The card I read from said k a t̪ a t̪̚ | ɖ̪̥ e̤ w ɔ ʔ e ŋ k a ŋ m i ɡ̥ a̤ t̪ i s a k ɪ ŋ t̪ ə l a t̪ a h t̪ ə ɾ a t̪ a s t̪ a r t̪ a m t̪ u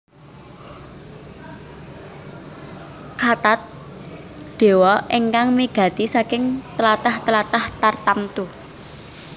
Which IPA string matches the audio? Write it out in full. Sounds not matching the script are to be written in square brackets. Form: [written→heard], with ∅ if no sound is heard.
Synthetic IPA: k a t̪ a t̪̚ | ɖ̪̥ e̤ w ɔ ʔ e ŋ k a ŋ m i ɡ̥ a̤ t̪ i s a k ɪ ŋ t̪ ə l a t̪ a h t̪ ə [ɾ→l] a t̪ a [s→h] t̪ a r t̪ a m t̪ u